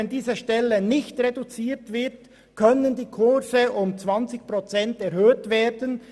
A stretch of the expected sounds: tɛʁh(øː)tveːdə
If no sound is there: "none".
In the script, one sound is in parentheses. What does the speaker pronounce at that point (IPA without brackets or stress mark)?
øː